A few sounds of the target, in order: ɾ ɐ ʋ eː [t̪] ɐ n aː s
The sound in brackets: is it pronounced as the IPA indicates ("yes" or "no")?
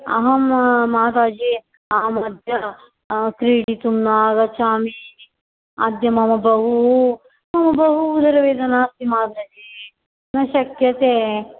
no